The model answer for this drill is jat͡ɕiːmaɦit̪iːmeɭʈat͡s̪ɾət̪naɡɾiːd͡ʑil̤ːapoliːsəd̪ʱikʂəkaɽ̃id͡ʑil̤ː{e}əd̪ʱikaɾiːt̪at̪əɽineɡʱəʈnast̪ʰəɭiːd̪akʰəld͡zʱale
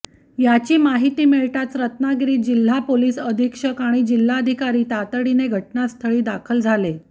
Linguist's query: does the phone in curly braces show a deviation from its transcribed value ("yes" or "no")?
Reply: yes